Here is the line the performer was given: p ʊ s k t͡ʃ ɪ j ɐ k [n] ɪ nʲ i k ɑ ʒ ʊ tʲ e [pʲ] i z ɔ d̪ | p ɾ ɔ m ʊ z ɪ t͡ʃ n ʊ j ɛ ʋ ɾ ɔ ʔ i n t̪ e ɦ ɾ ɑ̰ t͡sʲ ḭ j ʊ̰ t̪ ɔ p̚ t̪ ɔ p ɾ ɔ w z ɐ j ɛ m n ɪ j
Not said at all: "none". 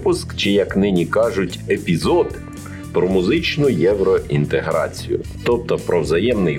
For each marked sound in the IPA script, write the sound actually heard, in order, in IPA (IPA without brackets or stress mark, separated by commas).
n, pʲ